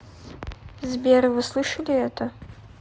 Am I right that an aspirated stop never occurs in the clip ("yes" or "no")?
no